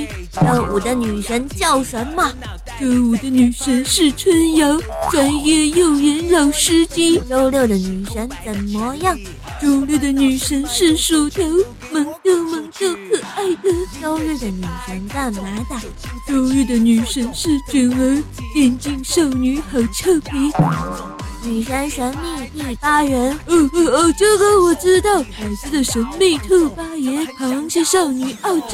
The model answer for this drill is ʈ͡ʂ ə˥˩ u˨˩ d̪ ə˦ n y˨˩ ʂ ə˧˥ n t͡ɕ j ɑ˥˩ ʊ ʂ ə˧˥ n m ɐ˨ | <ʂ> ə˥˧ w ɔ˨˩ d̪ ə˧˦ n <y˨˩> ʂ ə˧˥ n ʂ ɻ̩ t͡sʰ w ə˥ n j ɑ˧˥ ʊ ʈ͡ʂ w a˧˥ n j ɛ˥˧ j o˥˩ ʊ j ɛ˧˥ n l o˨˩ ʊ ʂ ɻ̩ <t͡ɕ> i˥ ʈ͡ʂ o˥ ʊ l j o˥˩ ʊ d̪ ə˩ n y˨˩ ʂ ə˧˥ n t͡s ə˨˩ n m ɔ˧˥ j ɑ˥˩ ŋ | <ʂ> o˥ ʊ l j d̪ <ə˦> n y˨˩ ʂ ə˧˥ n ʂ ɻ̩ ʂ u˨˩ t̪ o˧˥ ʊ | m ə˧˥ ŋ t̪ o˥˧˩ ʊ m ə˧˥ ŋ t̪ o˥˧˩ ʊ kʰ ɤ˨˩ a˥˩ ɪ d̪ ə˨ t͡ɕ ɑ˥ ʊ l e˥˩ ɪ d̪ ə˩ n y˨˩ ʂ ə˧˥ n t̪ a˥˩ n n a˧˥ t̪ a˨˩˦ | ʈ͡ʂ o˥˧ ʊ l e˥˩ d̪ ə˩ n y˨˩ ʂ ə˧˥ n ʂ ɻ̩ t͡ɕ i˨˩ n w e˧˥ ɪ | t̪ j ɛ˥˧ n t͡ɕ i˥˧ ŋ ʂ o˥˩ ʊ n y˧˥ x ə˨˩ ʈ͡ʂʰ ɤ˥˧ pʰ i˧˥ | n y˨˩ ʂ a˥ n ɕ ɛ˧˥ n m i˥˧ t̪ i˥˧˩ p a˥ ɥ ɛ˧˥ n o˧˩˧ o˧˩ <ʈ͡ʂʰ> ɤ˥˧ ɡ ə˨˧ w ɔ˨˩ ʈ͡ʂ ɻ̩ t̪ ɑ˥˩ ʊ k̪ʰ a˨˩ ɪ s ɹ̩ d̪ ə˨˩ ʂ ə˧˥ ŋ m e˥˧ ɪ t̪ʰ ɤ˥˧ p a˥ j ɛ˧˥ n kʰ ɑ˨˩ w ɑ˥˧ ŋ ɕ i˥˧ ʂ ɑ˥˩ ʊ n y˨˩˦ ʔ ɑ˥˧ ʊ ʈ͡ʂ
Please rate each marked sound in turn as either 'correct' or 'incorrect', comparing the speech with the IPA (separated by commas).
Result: incorrect, correct, correct, incorrect, incorrect, incorrect